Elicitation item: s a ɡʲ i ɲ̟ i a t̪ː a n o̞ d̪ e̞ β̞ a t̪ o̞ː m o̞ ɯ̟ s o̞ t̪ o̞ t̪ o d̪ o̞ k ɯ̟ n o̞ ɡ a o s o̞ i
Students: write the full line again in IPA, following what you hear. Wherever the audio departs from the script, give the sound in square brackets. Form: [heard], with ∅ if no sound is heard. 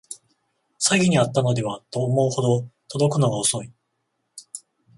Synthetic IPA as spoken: s a ɡʲ i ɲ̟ i a t̪ː a n o̞ d̪ e̞ β̞ a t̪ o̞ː m o̞ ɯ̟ [h] o̞ [d̪] o̞ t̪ o d̪ o̞ k ɯ̟ n o̞ ɡ a o s o̞ i

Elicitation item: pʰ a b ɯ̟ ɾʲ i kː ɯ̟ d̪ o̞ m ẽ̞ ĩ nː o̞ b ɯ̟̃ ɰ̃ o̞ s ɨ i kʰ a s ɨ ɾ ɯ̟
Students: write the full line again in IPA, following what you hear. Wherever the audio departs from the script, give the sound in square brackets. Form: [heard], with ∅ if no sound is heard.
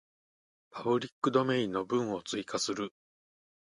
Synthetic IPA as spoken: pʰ a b ɯ̟ ɾʲ i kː ɯ̟ d̪ o̞ m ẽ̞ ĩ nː o̞ b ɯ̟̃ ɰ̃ o̞ [t͡s] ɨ i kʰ a s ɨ ɾ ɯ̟

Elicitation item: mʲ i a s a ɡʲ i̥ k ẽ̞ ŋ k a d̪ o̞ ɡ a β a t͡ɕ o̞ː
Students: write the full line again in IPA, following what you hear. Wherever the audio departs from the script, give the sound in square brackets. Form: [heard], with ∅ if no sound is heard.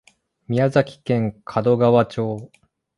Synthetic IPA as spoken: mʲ i a [z] a [kʲ] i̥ k ẽ̞ ŋ [kʰ] a d̪ o̞ ɡ a β a t͡ɕ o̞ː

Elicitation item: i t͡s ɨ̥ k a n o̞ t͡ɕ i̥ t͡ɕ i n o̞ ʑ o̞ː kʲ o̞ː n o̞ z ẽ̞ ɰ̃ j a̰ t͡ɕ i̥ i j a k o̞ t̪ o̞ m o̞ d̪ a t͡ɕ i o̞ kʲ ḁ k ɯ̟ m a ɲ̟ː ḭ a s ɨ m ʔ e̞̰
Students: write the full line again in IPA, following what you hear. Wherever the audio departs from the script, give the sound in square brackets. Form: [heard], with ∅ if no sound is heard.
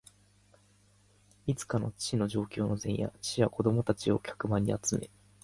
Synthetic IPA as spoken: i t͡s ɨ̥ k a n o̞ t͡ɕ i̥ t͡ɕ i n o̞ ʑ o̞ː kʲ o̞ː n o̞ z ẽ̞ ɰ̃ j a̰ t͡ɕ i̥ i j a k o̞ [d̪] o̞ m o̞ [t̪] a t͡ɕ i o̞ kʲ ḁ k ɯ̟ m a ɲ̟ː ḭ a [t͡s] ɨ m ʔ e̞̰

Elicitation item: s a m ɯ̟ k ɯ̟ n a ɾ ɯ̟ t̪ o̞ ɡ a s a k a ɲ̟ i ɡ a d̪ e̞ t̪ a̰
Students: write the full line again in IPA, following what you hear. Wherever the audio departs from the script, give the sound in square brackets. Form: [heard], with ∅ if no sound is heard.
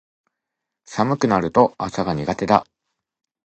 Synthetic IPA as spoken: s a m ɯ̟ k ɯ̟ n a ɾ ɯ̟ t̪ o̞ [∅] a s a [ɡ] a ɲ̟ i ɡ a [t̪] e̞ [d̪] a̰

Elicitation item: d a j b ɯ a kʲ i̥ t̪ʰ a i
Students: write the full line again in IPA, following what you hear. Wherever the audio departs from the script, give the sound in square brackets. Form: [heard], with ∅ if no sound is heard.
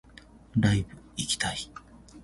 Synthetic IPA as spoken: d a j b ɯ [i] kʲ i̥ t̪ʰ a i

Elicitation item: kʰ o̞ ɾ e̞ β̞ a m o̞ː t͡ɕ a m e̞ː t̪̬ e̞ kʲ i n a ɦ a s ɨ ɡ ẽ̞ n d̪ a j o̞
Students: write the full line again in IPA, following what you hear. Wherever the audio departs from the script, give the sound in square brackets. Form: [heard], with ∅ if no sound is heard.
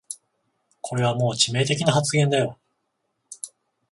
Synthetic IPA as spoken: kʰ o̞ ɾ e̞ β̞ a m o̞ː t͡ɕ [i] m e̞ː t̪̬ e̞ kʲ i n a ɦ a [t͡s] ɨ ɡ ẽ̞ n d̪ a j o̞

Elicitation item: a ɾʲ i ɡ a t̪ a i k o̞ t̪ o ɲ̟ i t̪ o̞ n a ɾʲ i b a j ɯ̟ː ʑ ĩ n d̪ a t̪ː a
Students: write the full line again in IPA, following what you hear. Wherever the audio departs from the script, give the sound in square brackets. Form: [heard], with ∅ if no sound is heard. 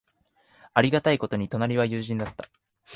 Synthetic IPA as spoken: a ɾʲ i ɡ a t̪ a i k o̞ t̪ o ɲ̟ i t̪ o̞ n a ɾʲ i [β] a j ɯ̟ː ʑ ĩ n d̪ a t̪ː a

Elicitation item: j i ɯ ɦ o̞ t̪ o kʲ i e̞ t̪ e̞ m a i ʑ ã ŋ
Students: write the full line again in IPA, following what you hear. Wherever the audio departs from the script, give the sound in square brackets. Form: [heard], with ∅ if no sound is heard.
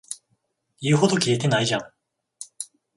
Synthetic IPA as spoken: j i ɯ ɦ o̞ [d̪] o kʲ i e̞ t̪ e̞ [n] a i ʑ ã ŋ

